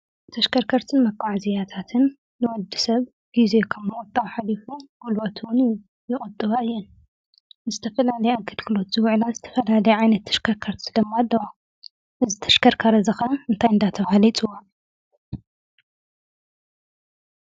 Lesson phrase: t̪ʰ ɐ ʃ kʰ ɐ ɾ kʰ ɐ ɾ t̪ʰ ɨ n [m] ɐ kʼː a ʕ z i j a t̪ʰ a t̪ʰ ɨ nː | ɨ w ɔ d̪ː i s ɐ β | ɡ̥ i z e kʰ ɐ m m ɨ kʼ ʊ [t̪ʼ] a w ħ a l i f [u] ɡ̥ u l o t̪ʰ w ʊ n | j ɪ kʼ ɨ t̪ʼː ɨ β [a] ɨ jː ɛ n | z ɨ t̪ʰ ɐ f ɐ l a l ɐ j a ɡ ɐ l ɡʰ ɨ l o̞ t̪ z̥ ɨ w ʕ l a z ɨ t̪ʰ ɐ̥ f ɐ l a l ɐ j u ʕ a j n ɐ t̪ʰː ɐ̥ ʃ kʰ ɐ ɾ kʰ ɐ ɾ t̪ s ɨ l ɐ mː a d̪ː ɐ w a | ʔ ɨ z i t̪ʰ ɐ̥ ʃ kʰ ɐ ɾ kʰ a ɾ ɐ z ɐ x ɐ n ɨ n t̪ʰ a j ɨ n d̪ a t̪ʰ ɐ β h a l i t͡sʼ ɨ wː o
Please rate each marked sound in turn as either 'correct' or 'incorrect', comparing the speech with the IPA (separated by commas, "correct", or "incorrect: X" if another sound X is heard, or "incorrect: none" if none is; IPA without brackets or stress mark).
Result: correct, correct, correct, correct